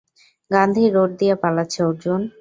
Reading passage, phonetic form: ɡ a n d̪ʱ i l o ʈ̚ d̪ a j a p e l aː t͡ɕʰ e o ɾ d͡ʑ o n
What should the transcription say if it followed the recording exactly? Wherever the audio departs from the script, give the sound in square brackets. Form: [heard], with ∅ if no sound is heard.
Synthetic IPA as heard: ɡ a n d̪ʱ i [ɾ] o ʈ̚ d̪ [i] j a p [a] l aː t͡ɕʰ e o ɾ d͡ʑ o n